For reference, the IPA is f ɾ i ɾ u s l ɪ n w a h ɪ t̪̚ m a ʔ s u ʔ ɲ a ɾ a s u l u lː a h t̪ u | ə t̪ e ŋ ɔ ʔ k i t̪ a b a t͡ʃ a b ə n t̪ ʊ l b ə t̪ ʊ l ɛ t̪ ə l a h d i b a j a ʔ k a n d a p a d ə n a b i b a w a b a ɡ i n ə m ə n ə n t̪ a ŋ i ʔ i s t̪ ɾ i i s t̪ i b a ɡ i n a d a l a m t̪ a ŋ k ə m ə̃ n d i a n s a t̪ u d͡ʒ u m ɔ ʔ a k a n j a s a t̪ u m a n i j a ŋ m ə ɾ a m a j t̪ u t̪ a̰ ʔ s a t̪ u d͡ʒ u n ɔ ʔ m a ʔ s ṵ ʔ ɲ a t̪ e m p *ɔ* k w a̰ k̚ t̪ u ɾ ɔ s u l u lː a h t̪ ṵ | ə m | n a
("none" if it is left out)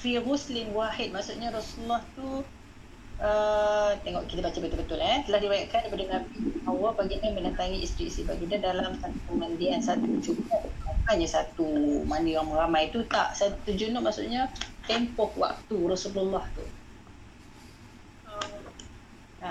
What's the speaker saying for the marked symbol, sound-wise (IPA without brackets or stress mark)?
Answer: ɔ